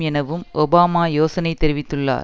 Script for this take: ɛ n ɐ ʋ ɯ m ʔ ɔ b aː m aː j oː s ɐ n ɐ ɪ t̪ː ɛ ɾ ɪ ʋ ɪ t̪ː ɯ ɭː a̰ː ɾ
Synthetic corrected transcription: ɛ n ɐ ʋ ɯ m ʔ ɔ b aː m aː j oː s ɐ n ɐ ɪ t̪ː ɛ ɾ ɪ ʋ ɪ t̪ː ɯ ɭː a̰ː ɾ